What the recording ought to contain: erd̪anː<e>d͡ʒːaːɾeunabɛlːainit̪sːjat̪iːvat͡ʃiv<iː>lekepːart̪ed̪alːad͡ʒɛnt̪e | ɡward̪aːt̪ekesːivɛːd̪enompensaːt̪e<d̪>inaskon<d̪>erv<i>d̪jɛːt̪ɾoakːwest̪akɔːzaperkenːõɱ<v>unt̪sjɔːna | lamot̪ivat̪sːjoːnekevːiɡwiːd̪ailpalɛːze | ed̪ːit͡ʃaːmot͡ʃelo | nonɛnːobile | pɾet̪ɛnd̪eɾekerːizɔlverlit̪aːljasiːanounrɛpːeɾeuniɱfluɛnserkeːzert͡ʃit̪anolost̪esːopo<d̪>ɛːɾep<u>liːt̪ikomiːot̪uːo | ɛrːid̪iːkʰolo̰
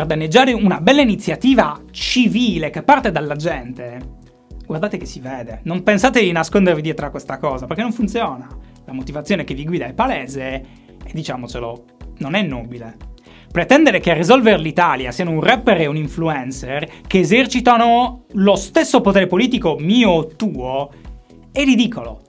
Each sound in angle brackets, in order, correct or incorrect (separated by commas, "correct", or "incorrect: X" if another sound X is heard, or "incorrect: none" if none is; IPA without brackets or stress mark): correct, correct, correct, correct, correct, incorrect: f, incorrect: t̪, incorrect: o